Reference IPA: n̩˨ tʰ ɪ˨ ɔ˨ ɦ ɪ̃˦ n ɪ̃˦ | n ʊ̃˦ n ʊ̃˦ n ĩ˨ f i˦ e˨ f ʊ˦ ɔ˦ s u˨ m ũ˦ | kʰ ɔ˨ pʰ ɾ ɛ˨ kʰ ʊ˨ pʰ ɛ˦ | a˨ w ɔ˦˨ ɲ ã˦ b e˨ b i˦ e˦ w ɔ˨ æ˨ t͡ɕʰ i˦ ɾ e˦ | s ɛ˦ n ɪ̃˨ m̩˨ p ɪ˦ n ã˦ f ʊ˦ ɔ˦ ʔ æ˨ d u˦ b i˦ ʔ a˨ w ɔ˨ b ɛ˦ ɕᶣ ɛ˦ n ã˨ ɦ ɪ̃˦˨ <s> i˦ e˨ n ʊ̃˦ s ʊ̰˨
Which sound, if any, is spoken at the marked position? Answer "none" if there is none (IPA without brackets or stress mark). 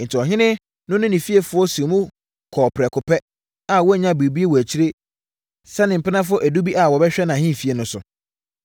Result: f